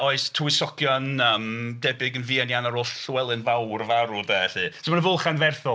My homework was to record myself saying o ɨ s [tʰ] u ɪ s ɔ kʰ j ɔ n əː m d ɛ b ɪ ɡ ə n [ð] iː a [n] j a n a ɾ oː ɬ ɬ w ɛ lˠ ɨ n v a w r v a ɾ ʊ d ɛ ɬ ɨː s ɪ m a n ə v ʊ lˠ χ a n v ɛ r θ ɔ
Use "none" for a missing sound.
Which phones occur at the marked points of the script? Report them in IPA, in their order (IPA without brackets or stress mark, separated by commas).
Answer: tʰ, v, n